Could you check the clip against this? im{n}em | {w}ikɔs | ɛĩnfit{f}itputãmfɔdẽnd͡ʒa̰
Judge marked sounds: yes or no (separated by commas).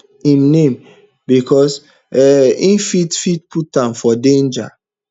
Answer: yes, no, yes